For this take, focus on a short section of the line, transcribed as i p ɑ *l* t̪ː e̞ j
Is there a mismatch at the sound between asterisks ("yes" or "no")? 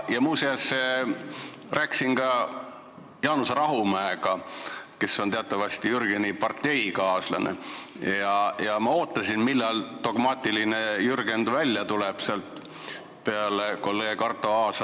yes